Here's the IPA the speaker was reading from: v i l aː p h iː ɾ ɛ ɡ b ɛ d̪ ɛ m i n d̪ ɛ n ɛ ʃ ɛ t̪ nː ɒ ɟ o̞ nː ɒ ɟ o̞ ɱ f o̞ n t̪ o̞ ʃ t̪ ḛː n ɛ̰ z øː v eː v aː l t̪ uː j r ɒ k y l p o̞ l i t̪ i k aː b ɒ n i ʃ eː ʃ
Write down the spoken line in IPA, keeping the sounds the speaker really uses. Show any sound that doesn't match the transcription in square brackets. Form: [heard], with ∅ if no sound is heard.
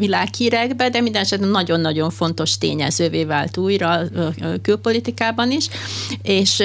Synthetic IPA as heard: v i l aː [k] h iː ɾ ɛ ɡ b ɛ d̪ ɛ m i n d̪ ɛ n ɛ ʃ ɛ t̪ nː ɒ ɟ o̞ nː ɒ ɟ o̞ ɱ f o̞ n t̪ o̞ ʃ t̪ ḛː [ɲ] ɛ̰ z øː v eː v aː l t̪ uː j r ɒ k y l p o̞ l i t̪ i k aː b ɒ n i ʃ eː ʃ